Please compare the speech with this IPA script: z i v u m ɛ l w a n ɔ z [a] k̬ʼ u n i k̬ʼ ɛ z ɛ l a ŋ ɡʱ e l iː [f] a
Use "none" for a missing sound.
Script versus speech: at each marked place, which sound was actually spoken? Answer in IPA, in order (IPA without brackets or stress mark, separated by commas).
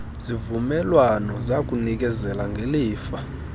a, f